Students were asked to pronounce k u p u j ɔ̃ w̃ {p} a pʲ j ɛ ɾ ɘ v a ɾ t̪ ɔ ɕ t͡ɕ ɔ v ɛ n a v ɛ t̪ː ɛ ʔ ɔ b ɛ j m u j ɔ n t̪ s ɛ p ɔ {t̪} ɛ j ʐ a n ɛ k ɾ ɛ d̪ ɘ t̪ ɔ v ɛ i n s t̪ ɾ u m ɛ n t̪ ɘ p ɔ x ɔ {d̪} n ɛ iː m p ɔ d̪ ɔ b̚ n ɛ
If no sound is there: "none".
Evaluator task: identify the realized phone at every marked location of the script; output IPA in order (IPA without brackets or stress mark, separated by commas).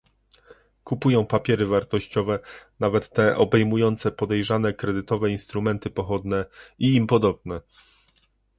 p, d̪, d̪